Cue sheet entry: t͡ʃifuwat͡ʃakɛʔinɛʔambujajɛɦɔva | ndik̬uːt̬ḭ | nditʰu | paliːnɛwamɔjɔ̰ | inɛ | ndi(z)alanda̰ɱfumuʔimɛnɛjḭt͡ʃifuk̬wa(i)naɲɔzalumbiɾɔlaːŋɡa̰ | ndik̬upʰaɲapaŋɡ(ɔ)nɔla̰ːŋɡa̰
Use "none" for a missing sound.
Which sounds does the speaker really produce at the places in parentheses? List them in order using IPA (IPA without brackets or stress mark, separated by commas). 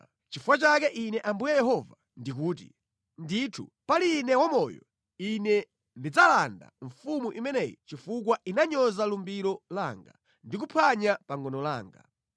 d͡z, i, ɔ